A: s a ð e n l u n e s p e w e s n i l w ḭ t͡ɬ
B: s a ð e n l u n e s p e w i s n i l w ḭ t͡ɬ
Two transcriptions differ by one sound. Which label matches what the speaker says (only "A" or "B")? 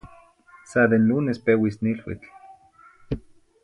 B